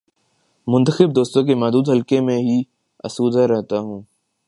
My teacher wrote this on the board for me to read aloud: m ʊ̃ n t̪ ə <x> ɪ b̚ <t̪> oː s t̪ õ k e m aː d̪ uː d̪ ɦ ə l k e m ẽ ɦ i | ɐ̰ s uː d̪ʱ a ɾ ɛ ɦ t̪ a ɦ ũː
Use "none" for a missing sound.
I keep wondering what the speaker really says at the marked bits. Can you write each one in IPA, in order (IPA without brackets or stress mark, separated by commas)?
x, d̪